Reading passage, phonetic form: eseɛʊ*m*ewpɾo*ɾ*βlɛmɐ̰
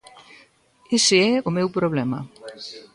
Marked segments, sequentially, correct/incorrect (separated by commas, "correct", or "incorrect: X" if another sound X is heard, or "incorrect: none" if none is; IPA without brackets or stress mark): correct, incorrect: none